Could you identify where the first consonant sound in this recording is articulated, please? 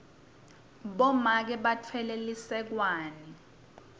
labial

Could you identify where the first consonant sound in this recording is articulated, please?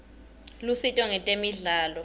alveolar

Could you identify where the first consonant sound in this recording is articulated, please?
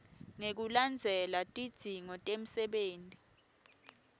velar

